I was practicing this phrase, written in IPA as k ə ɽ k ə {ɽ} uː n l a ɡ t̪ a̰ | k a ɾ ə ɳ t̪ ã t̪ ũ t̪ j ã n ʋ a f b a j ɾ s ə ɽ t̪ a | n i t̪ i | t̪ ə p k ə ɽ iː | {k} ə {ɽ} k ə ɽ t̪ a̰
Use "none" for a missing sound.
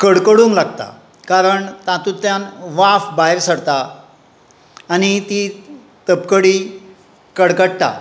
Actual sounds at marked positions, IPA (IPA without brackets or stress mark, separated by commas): ɽ, k, ɽ